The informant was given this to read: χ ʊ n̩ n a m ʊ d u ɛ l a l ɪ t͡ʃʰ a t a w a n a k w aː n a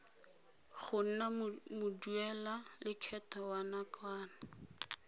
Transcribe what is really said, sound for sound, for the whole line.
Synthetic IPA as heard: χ ʊ n̩ n a m ʊ d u ɛ l a l ɪ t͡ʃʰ ɛ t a w a n a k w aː n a